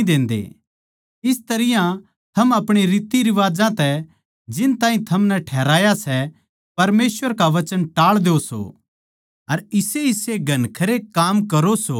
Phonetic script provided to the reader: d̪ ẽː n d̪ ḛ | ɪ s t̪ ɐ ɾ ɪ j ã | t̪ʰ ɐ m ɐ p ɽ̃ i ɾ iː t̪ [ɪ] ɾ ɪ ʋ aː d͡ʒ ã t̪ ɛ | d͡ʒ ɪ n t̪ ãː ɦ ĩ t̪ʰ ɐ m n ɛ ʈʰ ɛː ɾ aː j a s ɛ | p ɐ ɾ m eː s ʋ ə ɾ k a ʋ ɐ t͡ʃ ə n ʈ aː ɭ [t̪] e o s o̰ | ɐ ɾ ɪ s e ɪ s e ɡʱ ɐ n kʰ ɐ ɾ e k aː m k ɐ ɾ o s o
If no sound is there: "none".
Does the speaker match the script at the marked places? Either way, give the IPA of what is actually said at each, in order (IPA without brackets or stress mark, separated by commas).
i, d̪